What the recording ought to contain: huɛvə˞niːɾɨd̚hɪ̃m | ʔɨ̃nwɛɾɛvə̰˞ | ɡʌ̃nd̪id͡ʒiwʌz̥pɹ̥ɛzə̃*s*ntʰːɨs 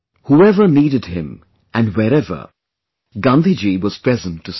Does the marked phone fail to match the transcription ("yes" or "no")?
yes